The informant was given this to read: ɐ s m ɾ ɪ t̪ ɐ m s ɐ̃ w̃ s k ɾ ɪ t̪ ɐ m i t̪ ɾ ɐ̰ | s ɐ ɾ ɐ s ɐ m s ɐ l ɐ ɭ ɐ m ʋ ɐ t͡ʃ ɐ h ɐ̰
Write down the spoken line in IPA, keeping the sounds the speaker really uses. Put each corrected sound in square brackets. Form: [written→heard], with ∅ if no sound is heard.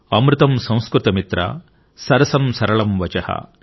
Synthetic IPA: ɐ [s→∅] m ɾ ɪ t̪ ɐ m s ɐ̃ w̃ s k ɾ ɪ t̪ ɐ m i t̪ ɾ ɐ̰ | s ɐ ɾ ɐ s ɐ m s ɐ [l→ɾ] ɐ ɭ ɐ m ʋ ɐ t͡ʃ ɐ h ɐ̰